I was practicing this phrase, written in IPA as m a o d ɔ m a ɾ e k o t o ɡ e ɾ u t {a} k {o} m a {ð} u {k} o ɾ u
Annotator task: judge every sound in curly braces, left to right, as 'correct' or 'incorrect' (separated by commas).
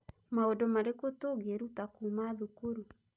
correct, incorrect, correct, correct